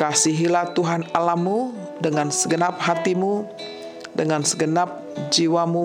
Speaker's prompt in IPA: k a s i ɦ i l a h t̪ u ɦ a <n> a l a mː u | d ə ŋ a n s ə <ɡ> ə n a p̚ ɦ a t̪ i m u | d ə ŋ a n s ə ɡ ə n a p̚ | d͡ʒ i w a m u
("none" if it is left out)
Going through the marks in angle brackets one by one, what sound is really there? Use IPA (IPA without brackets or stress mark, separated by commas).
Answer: n, ɡ